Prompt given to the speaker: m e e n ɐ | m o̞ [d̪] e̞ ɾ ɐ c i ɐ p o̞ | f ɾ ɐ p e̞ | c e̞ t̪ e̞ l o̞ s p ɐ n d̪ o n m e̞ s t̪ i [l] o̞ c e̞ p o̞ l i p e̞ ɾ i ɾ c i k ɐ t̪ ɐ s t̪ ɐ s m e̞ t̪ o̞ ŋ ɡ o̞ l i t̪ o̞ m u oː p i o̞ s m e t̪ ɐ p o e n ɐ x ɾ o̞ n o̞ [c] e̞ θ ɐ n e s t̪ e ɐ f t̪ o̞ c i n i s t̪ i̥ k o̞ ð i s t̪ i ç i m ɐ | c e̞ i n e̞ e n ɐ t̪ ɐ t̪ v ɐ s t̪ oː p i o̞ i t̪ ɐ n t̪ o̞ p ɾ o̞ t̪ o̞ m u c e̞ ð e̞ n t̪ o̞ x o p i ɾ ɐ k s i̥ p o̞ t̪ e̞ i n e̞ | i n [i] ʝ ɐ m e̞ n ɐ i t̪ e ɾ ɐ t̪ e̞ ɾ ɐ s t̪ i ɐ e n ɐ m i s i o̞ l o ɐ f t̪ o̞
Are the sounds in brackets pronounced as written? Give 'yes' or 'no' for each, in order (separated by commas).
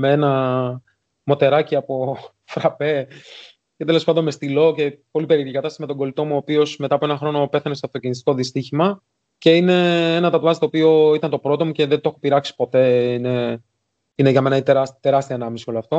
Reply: no, yes, no, no